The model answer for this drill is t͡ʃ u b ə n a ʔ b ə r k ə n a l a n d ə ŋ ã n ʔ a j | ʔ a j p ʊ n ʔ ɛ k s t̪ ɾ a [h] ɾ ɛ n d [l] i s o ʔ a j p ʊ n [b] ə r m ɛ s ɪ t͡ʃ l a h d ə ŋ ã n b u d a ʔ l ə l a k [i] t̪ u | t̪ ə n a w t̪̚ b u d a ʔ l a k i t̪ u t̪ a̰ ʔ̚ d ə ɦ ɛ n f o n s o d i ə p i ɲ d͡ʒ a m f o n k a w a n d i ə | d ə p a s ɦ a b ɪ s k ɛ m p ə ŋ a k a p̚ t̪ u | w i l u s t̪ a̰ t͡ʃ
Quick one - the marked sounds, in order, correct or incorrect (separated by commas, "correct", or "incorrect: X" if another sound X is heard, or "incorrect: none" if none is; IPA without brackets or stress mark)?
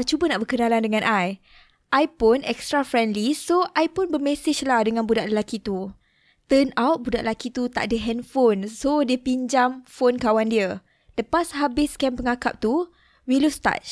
incorrect: f, correct, correct, correct